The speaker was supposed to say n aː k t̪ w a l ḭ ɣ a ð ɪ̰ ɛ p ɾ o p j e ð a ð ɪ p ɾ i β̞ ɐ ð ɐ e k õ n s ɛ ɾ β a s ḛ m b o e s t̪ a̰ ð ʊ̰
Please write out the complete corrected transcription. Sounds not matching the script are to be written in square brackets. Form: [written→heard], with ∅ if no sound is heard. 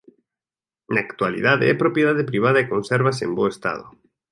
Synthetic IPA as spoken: n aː k t̪ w a l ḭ [ɣ→ð] a ð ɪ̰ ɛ p ɾ o p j e ð a ð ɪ p ɾ i β̞ [ɐ→a] ð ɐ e k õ n s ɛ ɾ β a s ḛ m b o e s t̪ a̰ ð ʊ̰